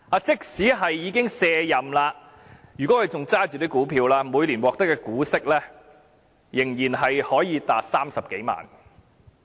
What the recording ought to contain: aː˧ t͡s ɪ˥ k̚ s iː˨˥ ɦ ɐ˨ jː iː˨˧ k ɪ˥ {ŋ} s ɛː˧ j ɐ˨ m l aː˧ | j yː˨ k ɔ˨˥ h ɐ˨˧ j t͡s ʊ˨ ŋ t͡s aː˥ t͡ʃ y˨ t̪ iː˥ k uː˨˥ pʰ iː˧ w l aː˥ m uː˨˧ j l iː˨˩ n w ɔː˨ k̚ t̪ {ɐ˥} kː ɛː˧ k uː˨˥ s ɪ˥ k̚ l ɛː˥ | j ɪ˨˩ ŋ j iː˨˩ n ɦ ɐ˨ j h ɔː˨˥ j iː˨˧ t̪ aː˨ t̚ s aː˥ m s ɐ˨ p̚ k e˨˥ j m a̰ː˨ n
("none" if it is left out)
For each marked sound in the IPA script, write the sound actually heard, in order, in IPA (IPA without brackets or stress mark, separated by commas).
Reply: ŋ, ɐ˥